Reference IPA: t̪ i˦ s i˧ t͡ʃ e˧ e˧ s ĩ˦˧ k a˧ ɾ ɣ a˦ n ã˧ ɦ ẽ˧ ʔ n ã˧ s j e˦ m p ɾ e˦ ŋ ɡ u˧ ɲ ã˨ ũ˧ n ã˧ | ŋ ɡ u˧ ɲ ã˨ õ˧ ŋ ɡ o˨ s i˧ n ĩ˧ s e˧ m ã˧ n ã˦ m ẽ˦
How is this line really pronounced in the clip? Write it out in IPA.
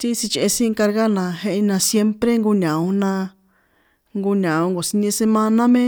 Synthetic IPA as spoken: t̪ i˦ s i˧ t͡ʃ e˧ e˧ s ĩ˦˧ k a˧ ɾ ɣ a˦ n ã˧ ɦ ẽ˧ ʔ n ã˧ s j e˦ m p ɾ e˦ ŋ ɡ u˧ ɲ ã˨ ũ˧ n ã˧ | ŋ ɡ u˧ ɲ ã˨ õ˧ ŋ ɡ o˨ s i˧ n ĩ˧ s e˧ m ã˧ n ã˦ m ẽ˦